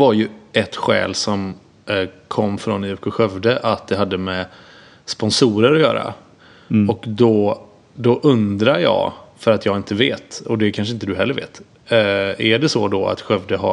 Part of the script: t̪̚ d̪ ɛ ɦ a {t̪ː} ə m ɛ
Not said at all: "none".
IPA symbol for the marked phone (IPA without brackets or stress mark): d̪ː